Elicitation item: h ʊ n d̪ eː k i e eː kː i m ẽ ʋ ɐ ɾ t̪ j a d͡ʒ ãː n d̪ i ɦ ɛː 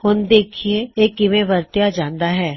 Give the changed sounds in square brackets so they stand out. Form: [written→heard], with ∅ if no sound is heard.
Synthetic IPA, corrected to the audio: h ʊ n d̪ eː [k→kʰ] i e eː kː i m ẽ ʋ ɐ ɾ t̪ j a d͡ʒ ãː n d̪ [i→a] ɦ ɛː